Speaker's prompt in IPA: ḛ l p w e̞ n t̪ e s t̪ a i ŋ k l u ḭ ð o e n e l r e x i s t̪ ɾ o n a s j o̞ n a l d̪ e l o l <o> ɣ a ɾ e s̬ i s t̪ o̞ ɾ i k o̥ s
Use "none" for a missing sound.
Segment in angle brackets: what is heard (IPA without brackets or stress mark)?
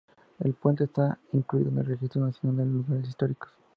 u